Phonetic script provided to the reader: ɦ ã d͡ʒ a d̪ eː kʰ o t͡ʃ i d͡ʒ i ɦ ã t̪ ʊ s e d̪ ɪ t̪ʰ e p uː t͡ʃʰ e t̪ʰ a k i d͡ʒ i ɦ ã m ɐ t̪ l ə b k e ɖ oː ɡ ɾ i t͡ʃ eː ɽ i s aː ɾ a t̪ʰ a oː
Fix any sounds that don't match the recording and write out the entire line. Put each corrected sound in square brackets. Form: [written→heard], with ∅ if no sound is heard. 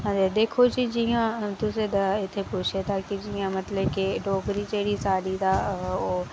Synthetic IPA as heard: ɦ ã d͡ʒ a d̪ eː kʰ o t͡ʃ i d͡ʒ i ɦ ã t̪ ʊ s e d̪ ɪ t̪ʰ e p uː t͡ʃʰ e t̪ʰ a k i d͡ʒ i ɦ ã m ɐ t̪ l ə b k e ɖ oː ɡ ɾ i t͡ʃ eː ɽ i s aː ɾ [a→i] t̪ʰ a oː